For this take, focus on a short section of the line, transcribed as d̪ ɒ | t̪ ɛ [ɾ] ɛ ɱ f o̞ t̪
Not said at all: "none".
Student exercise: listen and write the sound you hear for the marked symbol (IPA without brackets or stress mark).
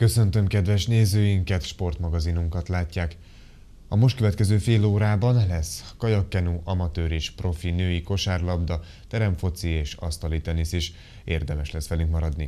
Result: ɾ